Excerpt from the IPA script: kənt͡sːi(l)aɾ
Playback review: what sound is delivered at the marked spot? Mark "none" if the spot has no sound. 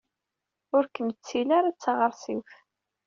l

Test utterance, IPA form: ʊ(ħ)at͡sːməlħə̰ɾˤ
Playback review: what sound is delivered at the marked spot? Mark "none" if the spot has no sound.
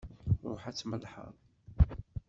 ħ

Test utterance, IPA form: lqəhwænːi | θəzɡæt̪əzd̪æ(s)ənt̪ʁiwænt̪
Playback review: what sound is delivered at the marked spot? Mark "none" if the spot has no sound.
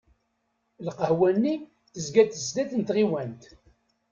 θ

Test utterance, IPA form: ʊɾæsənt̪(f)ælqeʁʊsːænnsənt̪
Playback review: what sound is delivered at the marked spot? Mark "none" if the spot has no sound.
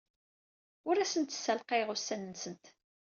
s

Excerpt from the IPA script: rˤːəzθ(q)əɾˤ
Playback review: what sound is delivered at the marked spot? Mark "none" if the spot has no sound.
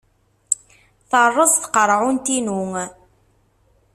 q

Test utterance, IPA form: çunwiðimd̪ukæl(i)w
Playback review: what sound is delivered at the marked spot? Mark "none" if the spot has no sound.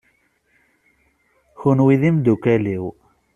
i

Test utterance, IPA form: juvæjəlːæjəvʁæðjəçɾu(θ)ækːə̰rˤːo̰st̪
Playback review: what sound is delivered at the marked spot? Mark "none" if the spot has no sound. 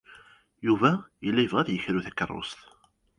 θ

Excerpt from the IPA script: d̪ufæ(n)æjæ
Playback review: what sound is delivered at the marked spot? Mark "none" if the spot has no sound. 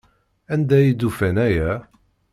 n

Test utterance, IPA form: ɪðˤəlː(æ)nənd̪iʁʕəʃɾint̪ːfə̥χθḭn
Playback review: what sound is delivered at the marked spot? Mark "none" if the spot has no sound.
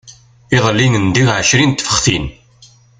i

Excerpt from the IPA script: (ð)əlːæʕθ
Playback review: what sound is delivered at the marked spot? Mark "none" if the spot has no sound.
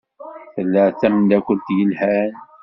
θ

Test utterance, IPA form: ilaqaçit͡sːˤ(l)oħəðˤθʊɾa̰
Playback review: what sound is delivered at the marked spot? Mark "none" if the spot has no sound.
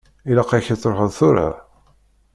ɾ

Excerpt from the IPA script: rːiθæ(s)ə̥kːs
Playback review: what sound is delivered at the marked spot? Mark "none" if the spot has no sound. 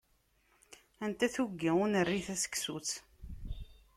s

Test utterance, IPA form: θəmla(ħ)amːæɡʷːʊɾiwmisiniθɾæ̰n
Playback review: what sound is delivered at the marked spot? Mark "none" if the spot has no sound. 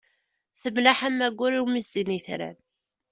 ħ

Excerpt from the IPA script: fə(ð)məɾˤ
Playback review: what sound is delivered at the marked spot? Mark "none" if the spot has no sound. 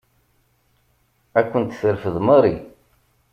ð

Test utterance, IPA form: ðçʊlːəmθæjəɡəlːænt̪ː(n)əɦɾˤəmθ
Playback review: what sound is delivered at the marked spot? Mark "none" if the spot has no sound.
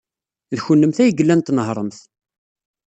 n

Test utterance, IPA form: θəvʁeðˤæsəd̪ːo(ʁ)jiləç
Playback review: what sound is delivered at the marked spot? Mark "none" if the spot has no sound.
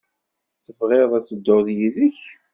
ð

